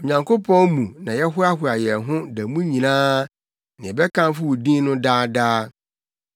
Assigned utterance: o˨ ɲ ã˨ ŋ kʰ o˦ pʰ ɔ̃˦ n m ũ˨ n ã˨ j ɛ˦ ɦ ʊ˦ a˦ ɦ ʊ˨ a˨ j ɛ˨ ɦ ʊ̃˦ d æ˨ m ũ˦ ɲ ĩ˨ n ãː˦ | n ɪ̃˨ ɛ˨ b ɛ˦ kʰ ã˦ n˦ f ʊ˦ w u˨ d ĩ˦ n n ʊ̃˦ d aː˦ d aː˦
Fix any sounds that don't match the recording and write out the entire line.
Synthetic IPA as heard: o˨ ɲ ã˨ ŋ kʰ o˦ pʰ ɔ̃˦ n m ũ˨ n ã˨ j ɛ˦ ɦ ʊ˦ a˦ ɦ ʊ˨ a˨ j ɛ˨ ɦ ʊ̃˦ d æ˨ m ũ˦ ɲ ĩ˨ n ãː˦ | n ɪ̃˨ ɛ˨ b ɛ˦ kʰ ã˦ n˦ f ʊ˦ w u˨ d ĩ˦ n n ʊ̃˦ d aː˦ d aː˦